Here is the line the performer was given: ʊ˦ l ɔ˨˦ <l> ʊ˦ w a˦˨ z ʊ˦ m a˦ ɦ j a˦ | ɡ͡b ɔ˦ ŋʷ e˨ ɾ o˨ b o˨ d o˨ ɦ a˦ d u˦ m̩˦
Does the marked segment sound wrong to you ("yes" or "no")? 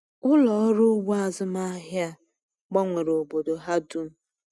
yes